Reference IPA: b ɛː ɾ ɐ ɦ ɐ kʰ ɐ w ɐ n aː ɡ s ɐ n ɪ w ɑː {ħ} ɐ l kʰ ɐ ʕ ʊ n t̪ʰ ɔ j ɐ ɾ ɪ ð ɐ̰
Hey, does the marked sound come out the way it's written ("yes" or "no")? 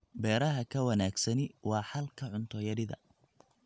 yes